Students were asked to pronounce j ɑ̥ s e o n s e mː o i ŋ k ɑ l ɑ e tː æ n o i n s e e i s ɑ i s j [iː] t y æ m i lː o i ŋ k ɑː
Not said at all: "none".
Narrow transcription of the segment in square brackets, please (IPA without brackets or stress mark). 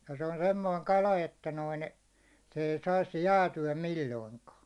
æː